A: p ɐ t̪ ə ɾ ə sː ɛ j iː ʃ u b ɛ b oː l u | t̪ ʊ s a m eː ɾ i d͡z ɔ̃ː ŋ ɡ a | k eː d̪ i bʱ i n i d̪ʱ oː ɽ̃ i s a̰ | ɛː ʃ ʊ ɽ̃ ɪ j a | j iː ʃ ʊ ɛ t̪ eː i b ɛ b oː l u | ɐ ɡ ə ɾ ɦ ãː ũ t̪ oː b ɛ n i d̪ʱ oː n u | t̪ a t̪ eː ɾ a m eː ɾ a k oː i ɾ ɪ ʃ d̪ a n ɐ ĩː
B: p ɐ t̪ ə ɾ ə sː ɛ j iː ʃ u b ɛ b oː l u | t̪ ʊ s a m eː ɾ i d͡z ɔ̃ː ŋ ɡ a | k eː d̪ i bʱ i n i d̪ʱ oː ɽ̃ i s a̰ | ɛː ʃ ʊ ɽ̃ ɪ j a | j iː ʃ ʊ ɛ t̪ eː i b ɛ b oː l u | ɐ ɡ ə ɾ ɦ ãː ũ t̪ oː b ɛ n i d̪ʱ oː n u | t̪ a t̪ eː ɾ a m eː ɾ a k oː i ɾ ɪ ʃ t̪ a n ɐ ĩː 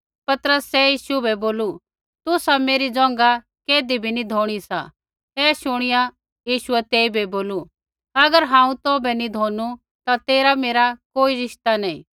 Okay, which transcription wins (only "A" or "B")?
B